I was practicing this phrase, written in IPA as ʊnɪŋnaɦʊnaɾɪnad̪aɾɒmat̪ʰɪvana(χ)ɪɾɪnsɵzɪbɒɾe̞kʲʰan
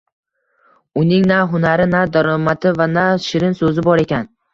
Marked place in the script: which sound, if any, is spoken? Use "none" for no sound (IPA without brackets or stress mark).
ʃ